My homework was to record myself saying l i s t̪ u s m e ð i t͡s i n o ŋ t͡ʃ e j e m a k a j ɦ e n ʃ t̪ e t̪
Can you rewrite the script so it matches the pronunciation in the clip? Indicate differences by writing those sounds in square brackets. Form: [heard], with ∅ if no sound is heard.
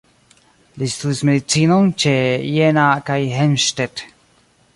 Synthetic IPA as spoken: l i s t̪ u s m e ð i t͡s i n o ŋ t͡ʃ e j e [n] a k a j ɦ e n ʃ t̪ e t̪